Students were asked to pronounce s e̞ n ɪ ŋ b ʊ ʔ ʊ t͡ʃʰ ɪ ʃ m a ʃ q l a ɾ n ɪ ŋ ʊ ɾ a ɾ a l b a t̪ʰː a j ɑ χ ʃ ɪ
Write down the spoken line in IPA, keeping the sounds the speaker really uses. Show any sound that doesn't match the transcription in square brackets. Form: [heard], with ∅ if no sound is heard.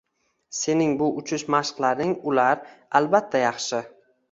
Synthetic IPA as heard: s e̞ n ɪ ŋ b ʊ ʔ ʊ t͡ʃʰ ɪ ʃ m a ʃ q l a ɾ n ɪ ŋ ʊ [l] a ɾ a l b a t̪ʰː a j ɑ χ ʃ ɪ

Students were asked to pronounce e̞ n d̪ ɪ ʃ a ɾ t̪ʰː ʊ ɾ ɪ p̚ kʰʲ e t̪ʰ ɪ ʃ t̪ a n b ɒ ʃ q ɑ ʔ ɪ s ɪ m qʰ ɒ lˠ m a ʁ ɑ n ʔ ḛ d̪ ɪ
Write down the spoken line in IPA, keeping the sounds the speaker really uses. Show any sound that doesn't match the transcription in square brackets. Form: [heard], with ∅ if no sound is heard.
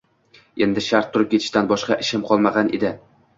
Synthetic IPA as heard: e̞ n d̪ ɪ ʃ a ɾ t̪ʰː ʊ ɾ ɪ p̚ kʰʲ e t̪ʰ ɪ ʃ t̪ a n b ɒ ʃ q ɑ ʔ ɪ [ʃ] ɪ m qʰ ɒ lˠ m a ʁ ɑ n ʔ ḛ d̪ ɪ

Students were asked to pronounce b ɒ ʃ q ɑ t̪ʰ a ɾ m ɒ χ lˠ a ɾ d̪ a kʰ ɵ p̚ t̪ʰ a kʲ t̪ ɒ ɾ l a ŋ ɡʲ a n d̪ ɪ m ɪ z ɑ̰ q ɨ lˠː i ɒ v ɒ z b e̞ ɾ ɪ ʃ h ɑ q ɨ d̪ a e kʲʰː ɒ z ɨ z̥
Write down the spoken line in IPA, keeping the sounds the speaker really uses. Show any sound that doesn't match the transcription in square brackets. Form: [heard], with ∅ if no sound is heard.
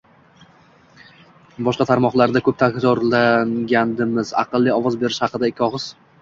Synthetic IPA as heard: b ɒ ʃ q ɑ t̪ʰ a ɾ m ɒ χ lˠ a ɾ d̪ a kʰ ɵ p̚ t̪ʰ a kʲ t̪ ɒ ɾ l a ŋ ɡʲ a n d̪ ɪ m ɪ z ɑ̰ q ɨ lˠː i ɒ v ɒ z b e̞ ɾ ɪ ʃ h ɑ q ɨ d̪ a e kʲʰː ɒ [ʁ] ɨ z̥

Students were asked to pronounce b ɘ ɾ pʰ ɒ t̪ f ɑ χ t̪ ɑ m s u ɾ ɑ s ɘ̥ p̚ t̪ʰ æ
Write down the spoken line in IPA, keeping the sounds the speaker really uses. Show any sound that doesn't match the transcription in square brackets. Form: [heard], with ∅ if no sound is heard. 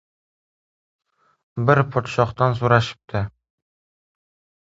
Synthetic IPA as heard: b ɘ ɾ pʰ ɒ t̪ [ʃ] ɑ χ t̪ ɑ [n] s u ɾ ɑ [ʃ] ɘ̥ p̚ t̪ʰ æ

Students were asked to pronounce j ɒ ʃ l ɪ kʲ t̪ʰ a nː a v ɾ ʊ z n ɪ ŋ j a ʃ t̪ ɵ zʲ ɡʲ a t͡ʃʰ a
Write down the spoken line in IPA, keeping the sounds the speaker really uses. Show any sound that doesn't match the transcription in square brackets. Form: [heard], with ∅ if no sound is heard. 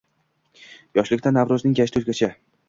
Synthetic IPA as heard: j ɒ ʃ l ɪ kʲ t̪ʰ a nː a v ɾ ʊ z n ɪ ŋ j a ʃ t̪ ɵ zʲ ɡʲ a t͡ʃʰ a

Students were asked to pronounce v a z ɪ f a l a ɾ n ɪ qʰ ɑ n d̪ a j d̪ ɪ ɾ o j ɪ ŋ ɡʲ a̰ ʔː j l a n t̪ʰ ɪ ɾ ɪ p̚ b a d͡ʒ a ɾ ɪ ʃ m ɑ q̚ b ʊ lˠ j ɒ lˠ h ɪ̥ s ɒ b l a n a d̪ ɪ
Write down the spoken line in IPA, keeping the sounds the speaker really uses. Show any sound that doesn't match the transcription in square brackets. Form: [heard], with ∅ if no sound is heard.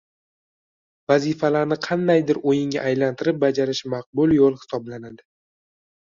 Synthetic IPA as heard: v a z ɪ f a l a ɾ n ɪ qʰ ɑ n d̪ a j d̪ ɪ ɾ o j ɪ ŋ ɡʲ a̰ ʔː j l a n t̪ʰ ɪ ɾ ɪ p̚ b a d͡ʒ a ɾ ɪ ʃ m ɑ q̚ b ʊ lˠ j [o] lˠ h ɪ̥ s ɒ b l a n a d̪ ɪ

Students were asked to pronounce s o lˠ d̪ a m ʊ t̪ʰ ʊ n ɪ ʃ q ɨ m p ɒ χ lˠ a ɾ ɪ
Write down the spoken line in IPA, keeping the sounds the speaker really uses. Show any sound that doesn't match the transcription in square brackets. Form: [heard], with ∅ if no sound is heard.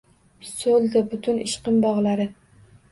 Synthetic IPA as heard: s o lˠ d̪ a [b] ʊ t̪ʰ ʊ n ɪ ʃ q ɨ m [b] ɒ [ʁ] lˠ a ɾ ɪ

